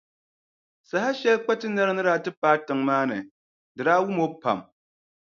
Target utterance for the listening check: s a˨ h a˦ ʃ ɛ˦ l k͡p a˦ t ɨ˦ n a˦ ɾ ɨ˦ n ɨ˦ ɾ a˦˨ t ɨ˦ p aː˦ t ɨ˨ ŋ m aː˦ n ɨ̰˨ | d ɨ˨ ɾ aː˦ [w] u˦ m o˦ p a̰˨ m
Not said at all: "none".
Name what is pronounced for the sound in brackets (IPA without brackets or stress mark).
w